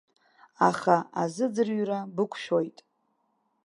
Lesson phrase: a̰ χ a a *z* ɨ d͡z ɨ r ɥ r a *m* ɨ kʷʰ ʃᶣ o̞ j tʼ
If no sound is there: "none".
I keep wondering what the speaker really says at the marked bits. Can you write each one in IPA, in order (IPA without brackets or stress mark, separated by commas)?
z, b